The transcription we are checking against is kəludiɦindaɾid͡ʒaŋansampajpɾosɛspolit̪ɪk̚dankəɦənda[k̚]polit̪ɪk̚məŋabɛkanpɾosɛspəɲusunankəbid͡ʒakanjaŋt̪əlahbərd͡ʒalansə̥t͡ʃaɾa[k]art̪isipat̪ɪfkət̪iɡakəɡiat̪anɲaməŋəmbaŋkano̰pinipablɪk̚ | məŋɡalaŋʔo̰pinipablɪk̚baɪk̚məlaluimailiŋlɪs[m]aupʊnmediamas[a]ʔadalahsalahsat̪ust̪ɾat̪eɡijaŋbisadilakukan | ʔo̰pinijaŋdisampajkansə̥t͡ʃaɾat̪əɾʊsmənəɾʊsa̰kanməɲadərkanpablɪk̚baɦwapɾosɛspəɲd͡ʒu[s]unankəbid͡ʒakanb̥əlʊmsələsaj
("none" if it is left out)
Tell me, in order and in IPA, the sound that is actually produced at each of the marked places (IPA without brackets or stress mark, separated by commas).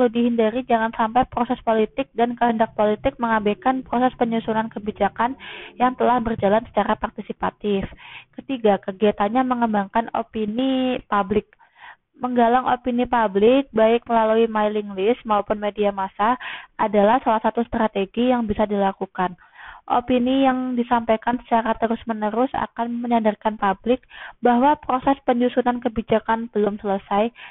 k̚, p, m, a, s